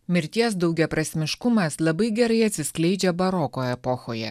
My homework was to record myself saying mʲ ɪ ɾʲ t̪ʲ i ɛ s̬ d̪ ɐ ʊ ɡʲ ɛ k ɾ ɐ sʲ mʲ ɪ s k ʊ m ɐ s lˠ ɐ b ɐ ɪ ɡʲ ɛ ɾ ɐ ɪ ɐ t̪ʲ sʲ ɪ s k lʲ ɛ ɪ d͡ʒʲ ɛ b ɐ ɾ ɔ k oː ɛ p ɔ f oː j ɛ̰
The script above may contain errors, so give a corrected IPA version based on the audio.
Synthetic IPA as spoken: mʲ ɪ ɾʲ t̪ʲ i ɛ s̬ d̪ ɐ ʊ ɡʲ ɛ p ɾ ɐ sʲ mʲ ɪ ʃ k ʊ m ɐ s lˠ ɐ b ɐ ɪ ɡʲ ɛ ɾ ɐ ɪ ɐ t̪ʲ sʲ ɪ s k lʲ ɛ ɪ d͡ʒʲ ɛ b ɐ ɾ ɔ k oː ɛ p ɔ x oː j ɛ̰